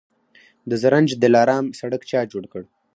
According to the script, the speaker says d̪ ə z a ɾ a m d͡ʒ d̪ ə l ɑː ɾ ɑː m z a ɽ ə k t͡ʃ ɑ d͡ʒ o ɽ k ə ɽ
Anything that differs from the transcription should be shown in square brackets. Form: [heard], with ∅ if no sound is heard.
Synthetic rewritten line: d̪ ə z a ɾ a [n] d͡ʒ d̪ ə l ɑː ɾ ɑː m [s] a ɽ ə k t͡ʃ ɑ d͡ʒ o ɽ k ə ɽ